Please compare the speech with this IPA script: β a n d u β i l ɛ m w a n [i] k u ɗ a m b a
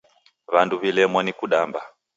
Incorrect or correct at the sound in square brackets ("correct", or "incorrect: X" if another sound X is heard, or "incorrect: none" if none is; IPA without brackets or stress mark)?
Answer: correct